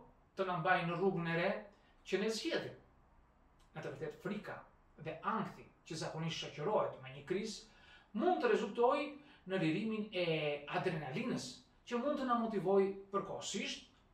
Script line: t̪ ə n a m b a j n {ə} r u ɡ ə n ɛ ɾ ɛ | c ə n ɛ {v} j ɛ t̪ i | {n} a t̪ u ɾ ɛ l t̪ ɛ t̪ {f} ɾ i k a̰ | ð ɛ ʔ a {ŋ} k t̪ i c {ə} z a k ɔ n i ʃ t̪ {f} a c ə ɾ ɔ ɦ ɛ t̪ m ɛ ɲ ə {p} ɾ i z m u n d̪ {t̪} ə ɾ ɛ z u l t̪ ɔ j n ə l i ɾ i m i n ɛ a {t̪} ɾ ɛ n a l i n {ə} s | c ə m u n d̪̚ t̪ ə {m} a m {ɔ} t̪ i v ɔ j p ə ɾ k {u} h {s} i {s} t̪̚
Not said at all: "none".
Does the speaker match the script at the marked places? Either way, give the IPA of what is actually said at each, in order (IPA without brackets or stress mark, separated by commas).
ə, z, n, f, ŋ, ə, ʃ, k, t̪, d̪, ə, n, ɔ, ɔ, s, ʃ